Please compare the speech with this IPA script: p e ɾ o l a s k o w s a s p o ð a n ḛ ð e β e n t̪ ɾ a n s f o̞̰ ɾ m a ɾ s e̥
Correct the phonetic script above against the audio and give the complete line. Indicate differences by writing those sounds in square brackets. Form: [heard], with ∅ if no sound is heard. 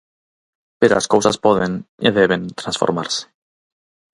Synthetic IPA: p e ɾ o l a s k o w s a s p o ð [e] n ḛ ð e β e n t̪ ɾ a n s f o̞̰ ɾ m a ɾ s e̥